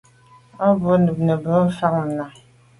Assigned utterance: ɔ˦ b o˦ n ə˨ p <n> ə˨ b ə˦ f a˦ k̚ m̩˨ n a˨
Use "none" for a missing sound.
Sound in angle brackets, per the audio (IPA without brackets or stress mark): n